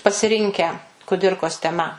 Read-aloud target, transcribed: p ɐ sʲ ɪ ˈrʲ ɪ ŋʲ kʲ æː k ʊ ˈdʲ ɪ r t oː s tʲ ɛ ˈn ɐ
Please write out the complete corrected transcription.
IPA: p ɐ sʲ ɪ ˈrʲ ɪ ŋʲ kʲ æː k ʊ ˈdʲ ɪ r k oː s tʲ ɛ ˈm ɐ